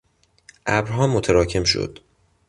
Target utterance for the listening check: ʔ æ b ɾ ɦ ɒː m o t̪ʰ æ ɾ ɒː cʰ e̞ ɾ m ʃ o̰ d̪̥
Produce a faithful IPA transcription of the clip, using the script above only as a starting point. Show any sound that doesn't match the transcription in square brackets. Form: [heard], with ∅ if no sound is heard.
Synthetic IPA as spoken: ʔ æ b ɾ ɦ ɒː m o t̪ʰ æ ɾ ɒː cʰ e̞ [∅] m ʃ o̰ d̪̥